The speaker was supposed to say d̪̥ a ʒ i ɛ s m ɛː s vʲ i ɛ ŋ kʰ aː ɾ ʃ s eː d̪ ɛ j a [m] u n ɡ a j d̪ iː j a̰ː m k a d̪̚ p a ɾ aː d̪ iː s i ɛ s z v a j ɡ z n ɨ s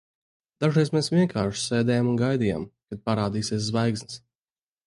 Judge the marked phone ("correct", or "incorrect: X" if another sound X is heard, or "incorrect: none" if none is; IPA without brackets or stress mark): correct